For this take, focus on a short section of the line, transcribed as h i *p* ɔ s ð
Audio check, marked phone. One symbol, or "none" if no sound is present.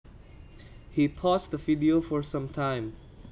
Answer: pʰ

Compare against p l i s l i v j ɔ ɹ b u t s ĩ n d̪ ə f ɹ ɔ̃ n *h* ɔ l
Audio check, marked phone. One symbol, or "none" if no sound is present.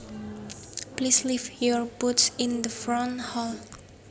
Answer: h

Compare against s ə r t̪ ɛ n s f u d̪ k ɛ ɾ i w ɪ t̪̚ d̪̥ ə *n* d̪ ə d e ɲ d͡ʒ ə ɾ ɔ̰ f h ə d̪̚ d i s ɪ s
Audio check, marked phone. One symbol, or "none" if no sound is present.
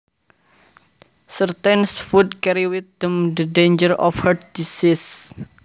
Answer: m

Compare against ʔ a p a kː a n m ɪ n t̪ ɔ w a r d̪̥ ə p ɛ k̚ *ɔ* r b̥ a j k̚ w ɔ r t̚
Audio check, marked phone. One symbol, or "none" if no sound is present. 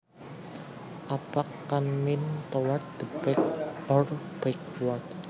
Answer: ɔ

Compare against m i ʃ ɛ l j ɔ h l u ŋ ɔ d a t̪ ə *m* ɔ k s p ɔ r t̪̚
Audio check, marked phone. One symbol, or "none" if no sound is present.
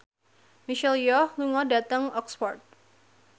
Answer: ŋ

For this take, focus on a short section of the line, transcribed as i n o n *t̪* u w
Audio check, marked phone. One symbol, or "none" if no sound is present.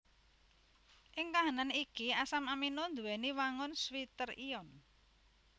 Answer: d̪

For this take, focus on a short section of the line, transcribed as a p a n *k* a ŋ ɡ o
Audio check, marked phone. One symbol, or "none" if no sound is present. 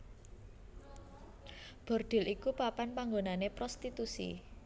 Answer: p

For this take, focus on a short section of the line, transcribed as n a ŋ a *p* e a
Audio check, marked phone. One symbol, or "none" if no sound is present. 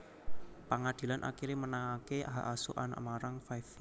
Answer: k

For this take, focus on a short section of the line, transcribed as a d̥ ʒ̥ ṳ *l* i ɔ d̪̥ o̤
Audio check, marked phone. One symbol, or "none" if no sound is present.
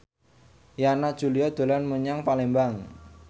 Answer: l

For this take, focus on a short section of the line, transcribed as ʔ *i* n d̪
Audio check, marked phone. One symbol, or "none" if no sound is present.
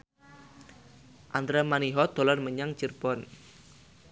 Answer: a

